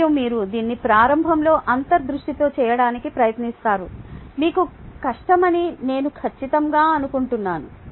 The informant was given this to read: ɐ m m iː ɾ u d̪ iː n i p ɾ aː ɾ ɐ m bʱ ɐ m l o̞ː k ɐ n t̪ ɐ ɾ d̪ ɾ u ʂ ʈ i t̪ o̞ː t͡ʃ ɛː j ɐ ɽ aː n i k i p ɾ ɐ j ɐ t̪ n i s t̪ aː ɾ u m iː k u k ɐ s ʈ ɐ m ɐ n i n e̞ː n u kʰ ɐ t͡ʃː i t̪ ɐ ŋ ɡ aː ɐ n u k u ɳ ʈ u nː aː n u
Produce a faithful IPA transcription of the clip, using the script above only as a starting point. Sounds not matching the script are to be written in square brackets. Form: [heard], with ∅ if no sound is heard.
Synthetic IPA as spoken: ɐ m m iː ɾ u d̪ iː [nː] i p ɾ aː ɾ ɐ m bʱ ɐ m l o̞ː [ʔ] ɐ n t̪ ɐ ɾ d̪ ɾ u ʂ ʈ i t̪ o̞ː t͡ʃ ɛː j ɐ ɽ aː n i k i p ɾ ɐ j ɐ t̪ n i s t̪ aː ɾ u m iː k u k ɐ [ʂ] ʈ ɐ m ɐ n i n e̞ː n u kʰ ɐ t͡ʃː i t̪ ɐ ŋ ɡ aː ɐ n u k u ɳ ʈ u nː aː n u